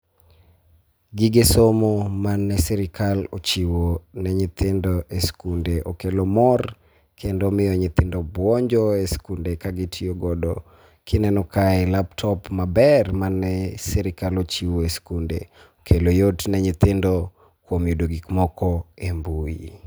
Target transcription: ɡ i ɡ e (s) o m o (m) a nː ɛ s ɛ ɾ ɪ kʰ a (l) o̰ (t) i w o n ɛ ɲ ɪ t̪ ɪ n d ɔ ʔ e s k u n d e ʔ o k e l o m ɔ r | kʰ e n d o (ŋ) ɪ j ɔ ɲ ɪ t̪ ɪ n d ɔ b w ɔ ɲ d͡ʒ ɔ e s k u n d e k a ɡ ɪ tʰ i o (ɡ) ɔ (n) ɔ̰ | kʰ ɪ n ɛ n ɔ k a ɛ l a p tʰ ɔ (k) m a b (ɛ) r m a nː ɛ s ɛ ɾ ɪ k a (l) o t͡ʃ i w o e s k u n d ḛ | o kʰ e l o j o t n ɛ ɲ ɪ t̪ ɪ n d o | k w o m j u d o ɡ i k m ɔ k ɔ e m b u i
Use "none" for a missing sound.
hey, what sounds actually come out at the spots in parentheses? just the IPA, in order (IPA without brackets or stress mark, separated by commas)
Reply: s, m, l, t͡ʃ, m, ɡ, d, p, ɛ, l